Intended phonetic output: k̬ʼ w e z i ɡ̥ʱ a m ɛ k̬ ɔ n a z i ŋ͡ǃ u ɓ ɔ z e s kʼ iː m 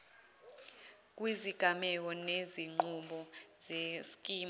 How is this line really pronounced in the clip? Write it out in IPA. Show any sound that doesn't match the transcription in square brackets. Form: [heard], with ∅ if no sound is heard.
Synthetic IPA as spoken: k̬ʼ w [i] z i ɡ̥ʱ a m ɛ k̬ ɔ n [e] z i ŋ͡ǃ u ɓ ɔ z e s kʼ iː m